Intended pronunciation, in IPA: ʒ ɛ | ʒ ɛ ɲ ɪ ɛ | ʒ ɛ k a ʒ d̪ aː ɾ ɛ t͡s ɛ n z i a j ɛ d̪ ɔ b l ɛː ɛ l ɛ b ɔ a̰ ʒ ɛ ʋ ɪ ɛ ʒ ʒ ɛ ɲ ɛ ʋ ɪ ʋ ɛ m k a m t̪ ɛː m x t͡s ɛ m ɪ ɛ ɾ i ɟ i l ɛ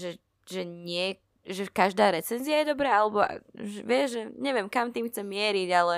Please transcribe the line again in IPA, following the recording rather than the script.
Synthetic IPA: ʒ ɛ | ʒ ɛ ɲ ɪ ɛ | ʒ ɛ k a ʒ d̪ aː ɾ ɛ t͡s ɛ n z i a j ɛ d̪ ɔ b ɾ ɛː a l ɛ b ɔ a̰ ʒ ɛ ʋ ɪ ɛ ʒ ʒ ɛ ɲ ɛ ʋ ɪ ɛ m k a m t̪ iː m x t͡s ɛ m ɪ ɛ ɾ i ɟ a l ɛ